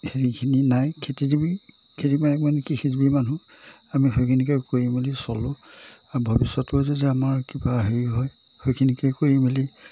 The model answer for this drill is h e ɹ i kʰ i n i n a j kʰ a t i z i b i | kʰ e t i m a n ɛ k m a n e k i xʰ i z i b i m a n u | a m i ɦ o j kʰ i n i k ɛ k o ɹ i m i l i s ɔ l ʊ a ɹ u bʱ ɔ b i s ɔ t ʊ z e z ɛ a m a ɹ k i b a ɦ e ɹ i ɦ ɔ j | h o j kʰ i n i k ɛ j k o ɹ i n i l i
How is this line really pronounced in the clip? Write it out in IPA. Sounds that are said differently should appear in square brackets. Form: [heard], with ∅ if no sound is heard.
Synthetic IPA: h e ɹ i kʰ i n i n a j kʰ [e] t i z i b i | kʰ e t i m a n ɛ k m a n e k i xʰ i z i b i m a n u | a m i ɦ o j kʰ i n i k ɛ k o ɹ i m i l i s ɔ l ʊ a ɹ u bʱ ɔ b i s ɔ t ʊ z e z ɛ a m a ɹ k i b a ɦ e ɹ i ɦ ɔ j | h o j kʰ i n i k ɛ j k o ɹ i [m] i l i